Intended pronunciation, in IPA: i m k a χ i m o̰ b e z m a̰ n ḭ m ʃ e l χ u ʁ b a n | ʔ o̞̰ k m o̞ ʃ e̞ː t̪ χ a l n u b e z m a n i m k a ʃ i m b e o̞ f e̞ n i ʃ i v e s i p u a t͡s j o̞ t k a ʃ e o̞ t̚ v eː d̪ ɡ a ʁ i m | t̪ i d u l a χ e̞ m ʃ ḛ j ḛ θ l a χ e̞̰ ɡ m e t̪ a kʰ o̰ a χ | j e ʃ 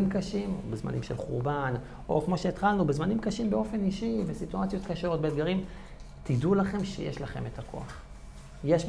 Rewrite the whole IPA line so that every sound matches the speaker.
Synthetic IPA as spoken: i m k a ʃ i m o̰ b e z m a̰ n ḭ m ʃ e l χ u ʁ b a n | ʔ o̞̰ k m o̞ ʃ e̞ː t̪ χ a l n u b e z m a n i m k a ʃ i m b e o̞ f e̞ n i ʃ i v e s i t u a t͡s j o̞ t k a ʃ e o̞ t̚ b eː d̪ ɡ a ʁ i m | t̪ i d u l a χ e̞ m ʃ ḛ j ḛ ʃ l a χ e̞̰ m e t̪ a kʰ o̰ a χ | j e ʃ